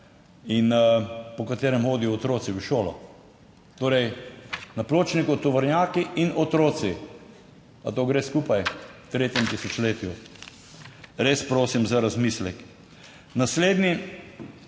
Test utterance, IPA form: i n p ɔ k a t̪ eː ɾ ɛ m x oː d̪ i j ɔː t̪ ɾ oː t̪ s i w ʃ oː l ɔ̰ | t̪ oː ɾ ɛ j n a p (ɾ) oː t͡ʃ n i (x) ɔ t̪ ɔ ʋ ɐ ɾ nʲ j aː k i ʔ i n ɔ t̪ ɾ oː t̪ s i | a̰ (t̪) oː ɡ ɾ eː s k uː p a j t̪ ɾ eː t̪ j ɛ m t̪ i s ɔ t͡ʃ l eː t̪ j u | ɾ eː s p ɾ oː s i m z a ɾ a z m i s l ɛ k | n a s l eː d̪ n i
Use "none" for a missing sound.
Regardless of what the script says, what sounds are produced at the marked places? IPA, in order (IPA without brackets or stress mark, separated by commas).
l, k, t̪